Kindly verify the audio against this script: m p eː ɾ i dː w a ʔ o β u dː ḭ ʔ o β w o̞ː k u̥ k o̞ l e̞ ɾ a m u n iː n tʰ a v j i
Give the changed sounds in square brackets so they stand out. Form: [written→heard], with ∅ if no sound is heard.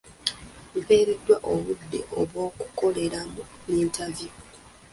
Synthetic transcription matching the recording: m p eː ɾ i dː w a ʔ o β u dː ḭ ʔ o β w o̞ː k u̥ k o̞ l e̞ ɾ a m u n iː n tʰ a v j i